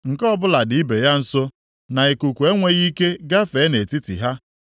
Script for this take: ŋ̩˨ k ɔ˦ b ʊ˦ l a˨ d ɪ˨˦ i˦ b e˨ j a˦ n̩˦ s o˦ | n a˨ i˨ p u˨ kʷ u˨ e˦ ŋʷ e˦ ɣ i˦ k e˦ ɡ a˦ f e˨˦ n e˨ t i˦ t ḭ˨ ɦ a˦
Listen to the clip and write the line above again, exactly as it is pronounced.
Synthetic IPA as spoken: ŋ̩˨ k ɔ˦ b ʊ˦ l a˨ d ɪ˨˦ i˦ b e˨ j a˦ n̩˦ s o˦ | n a˨ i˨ k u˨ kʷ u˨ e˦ ŋʷ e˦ ɣ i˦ k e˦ ɡ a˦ f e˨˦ n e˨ t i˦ t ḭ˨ ɦ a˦